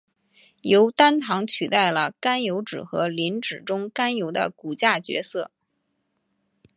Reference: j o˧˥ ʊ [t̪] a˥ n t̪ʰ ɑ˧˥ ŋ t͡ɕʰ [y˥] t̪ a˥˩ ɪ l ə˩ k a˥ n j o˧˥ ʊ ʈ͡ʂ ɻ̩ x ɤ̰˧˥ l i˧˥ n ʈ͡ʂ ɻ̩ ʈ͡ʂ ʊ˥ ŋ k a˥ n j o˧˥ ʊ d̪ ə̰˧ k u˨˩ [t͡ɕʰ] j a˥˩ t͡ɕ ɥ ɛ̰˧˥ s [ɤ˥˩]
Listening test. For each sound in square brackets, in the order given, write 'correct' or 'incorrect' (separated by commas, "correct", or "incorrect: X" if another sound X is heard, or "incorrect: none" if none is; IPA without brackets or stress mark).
correct, incorrect: y˨˩, incorrect: t͡ɕ, correct